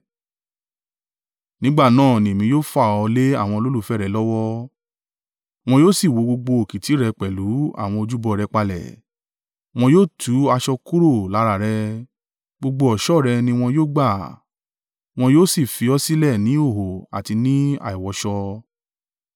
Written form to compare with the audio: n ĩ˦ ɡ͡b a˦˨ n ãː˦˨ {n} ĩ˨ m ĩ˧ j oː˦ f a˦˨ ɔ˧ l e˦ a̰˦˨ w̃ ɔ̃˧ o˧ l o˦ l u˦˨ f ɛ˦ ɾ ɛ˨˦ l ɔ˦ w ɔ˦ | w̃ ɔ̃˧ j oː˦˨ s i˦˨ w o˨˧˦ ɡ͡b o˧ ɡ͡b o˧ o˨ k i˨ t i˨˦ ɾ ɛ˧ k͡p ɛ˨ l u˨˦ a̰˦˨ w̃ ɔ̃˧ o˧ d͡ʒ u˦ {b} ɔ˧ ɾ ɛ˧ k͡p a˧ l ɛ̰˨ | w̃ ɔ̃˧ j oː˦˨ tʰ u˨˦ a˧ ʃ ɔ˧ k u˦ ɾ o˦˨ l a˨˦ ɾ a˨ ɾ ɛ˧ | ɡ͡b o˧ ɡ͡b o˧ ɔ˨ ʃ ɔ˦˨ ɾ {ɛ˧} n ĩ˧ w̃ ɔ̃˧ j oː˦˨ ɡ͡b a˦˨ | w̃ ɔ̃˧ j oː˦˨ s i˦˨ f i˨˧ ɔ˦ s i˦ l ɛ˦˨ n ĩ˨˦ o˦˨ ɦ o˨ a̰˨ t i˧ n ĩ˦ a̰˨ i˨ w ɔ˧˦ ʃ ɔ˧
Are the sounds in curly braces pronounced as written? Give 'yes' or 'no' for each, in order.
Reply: yes, yes, yes

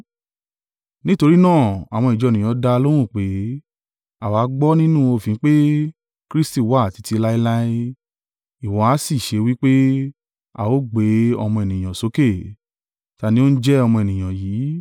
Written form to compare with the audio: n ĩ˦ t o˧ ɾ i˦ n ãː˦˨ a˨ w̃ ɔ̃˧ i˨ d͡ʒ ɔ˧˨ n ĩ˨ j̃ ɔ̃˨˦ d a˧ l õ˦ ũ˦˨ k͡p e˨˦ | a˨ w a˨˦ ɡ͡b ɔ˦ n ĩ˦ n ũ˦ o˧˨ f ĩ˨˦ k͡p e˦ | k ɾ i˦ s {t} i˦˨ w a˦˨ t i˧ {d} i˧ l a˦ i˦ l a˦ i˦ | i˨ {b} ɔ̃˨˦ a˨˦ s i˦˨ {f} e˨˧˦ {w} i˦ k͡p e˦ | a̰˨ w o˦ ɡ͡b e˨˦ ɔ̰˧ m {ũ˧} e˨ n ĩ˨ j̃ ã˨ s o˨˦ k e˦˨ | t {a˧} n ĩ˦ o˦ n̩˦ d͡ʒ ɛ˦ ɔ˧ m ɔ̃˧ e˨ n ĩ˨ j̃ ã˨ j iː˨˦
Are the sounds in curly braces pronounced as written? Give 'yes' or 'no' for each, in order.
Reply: yes, no, no, no, yes, no, yes

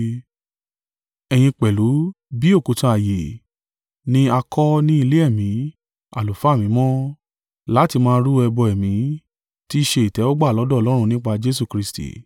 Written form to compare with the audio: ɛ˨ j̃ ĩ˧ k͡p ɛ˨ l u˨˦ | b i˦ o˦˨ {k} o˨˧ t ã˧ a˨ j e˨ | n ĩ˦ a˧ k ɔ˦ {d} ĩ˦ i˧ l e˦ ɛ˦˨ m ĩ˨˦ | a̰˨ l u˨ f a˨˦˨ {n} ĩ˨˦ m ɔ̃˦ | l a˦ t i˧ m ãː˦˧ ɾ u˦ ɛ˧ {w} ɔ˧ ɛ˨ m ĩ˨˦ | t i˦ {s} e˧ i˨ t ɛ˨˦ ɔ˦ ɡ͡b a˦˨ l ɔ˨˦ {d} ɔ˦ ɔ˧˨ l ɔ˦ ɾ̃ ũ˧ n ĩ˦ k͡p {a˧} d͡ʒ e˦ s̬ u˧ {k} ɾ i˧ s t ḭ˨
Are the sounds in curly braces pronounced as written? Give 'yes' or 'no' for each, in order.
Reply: yes, no, no, no, no, yes, yes, yes

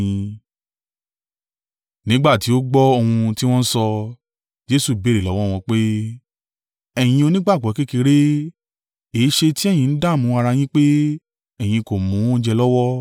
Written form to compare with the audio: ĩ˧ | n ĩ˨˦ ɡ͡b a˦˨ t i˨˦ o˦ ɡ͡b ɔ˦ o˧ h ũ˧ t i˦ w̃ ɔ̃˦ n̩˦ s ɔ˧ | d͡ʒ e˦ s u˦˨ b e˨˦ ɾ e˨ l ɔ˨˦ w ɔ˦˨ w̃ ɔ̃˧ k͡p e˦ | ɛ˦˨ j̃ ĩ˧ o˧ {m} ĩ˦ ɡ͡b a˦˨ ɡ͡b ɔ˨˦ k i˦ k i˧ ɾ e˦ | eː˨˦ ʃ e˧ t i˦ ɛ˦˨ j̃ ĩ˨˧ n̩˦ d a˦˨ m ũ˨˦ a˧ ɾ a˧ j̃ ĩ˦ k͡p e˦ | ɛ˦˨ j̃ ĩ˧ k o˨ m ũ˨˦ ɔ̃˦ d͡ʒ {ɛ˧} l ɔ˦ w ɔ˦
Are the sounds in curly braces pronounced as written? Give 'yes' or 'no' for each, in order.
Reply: no, yes

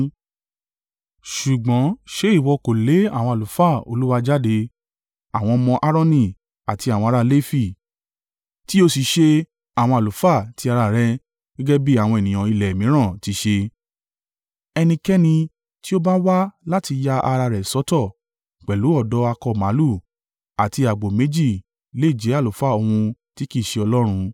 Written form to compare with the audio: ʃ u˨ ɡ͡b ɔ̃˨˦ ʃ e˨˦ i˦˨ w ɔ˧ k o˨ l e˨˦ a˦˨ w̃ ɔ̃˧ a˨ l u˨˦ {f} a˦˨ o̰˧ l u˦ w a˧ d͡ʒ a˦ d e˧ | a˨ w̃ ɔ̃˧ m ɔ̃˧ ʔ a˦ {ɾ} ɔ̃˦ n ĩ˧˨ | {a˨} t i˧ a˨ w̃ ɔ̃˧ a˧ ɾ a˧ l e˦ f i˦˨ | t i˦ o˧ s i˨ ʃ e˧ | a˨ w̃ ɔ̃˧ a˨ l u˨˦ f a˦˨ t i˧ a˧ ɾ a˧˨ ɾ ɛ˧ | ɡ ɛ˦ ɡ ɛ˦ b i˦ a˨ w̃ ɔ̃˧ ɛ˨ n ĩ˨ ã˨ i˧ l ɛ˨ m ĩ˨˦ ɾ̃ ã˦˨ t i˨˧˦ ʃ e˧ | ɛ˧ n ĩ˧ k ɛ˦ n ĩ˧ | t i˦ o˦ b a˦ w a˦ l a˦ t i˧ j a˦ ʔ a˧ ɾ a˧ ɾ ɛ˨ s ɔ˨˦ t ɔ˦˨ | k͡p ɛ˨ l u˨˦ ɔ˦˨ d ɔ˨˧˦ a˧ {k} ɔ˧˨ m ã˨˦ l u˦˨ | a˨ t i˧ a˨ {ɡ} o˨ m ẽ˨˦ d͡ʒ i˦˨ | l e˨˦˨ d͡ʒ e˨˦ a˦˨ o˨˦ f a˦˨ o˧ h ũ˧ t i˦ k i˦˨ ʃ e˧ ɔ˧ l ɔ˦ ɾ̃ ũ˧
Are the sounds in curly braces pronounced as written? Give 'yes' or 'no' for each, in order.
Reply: yes, yes, yes, yes, no

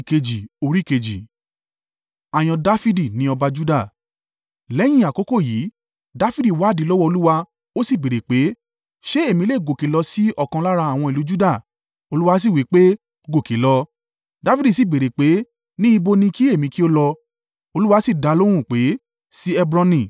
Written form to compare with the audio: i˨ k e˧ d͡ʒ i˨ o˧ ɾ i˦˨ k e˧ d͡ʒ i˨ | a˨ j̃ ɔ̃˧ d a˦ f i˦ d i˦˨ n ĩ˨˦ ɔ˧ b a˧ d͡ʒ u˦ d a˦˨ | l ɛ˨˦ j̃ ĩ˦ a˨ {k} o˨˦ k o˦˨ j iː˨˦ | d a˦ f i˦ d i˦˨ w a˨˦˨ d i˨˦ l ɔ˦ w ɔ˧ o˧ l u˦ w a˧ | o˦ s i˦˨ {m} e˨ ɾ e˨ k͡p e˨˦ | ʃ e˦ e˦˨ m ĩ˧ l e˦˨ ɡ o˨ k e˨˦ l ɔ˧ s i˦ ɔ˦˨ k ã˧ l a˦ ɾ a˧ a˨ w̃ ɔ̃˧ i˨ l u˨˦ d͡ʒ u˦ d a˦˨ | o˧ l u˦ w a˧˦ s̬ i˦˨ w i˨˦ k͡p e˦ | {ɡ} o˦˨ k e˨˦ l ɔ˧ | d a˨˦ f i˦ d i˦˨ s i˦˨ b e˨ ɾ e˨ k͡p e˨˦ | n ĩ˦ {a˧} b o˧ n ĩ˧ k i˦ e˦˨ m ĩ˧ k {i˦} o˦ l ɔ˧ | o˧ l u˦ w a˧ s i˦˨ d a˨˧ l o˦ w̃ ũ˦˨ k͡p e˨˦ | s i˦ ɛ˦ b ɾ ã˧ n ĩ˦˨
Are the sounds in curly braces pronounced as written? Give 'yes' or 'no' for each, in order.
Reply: yes, no, yes, no, yes

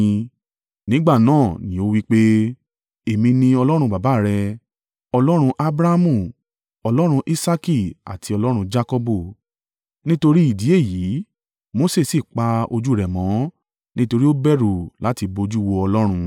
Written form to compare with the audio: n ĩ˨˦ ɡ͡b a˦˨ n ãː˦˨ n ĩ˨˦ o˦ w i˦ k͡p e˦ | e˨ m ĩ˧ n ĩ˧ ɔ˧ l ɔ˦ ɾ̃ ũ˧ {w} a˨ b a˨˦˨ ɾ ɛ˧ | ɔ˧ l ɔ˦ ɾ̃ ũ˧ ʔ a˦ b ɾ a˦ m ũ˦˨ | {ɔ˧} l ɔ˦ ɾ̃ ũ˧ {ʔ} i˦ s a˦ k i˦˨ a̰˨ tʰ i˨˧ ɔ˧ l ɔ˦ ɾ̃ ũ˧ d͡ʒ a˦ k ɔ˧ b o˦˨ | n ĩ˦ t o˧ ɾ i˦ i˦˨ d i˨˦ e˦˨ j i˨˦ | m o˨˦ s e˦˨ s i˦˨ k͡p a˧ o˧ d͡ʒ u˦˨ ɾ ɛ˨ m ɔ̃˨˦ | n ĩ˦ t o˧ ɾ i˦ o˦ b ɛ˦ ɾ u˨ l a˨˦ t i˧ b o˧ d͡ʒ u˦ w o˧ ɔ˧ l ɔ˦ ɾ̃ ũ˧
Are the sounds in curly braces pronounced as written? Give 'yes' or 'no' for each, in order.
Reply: no, yes, yes

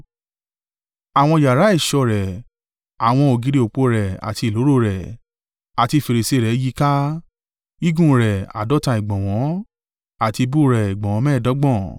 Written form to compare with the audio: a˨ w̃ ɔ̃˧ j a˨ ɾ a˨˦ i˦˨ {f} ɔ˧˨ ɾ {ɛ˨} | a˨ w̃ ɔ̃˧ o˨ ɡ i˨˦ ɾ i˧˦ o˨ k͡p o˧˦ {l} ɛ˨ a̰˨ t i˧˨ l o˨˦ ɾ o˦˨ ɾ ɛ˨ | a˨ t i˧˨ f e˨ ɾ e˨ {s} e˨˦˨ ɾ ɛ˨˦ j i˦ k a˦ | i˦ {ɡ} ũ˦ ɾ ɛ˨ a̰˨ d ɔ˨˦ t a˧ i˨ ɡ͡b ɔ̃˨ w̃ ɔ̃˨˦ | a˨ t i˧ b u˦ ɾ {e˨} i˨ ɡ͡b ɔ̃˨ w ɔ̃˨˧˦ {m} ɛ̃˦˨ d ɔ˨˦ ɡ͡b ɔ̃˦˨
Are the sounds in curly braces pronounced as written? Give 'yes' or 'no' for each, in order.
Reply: no, yes, no, yes, yes, no, yes

